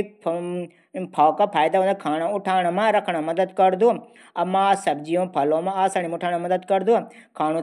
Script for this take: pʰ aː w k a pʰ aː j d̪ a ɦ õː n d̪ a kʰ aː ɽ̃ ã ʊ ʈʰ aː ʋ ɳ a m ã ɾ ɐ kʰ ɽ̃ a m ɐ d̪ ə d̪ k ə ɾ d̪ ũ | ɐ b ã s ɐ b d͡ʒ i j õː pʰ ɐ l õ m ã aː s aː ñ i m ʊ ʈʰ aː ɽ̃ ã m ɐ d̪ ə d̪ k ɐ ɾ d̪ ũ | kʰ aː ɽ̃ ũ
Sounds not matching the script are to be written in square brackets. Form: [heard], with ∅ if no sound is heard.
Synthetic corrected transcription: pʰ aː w k a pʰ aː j d̪ a ɦ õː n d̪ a kʰ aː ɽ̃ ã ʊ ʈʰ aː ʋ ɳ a m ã ɾ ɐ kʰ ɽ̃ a m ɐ d̪ ə d̪ k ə ɾ d̪ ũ | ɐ [m] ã s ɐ b d͡ʒ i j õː pʰ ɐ l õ m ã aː s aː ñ i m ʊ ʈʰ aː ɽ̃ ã m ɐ d̪ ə d̪ k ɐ ɾ d̪ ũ | kʰ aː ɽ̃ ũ